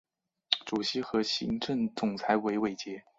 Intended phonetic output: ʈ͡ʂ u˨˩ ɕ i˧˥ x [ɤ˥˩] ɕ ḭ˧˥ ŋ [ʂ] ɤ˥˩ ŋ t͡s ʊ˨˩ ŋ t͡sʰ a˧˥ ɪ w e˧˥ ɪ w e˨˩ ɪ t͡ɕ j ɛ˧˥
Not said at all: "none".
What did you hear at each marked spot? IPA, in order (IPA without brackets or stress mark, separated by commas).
ɤ˧˥, ʈ͡ʂ